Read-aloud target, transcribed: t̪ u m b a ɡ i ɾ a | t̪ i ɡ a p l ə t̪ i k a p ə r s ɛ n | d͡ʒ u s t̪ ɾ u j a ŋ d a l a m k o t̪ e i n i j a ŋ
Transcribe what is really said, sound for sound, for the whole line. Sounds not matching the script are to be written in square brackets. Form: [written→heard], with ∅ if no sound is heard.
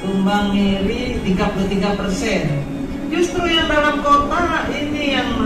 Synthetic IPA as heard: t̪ u m b a [ɡ→ŋ] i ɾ [a→i] | t̪ i ɡ a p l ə t̪ i [k→ɡ] a p ə r s ɛ n | d͡ʒ u s t̪ ɾ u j a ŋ d a l a m k o t̪ [e→a] i n i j a ŋ

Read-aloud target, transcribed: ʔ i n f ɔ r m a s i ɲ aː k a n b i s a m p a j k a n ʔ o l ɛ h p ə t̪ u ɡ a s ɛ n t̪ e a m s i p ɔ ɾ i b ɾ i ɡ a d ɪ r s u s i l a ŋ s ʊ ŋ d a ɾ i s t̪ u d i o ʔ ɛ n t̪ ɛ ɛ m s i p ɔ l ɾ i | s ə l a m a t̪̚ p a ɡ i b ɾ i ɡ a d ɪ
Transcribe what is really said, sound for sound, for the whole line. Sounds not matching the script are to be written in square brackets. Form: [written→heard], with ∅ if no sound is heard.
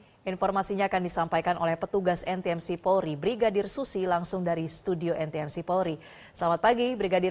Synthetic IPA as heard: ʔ i n f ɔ r m a s i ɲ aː k a n [b→d] i s a m p a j k a n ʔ o l ɛ h p ə t̪ u ɡ a s ɛ n t̪ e [a→ɛ] m s i p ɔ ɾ i b ɾ i ɡ a d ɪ r s u s i l a ŋ s ʊ ŋ d a ɾ i s t̪ u d i o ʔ ɛ n t̪ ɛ ɛ m s i p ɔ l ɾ i | s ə l a m a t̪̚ p a ɡ i b ɾ i ɡ a d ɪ

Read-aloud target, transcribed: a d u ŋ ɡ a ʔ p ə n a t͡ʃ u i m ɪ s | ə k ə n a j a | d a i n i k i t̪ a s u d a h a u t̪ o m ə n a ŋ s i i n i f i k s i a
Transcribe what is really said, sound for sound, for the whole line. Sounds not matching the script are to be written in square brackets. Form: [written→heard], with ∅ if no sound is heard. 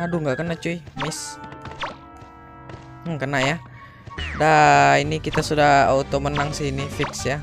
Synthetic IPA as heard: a d u ŋ ɡ a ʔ [p→k] ə n a t͡ʃ u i m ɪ s | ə k ə n a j a | d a i n i k i t̪ a s u d a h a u t̪ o m ə n a ŋ s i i n i f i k s [i→j] a

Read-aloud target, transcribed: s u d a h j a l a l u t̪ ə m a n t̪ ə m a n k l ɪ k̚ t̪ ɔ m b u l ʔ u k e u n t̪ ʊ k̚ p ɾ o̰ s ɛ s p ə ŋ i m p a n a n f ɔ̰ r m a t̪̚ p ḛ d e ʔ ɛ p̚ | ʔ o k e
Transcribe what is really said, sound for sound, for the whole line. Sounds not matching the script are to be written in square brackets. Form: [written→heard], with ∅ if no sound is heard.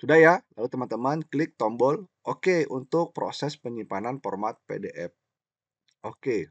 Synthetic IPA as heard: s u d a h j a l a l u t̪ ə m a n t̪ ə m a n k l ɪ k̚ t̪ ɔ m b [u→ɔ] l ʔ [u→o] k e u n t̪ ʊ k̚ p ɾ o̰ s ɛ s p ə [ŋ→ɲ] i m p a n a n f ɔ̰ r m a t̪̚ p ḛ d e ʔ ɛ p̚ | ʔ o k e

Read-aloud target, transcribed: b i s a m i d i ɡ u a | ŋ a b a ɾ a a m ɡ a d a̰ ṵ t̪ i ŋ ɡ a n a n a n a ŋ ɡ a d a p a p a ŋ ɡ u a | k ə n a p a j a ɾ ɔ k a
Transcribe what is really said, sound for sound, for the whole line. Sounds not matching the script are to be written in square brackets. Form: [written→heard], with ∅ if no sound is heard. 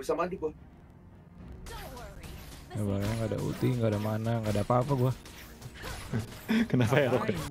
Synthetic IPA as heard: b i s a m [i→a] d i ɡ u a | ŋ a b a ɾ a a [m→ŋ] ɡ a d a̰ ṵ t̪ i ŋ ɡ a [n→d] a [n→m] a n a ŋ ɡ a d a p a p a [ŋ→∅] ɡ u a | k ə n a p a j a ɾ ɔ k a

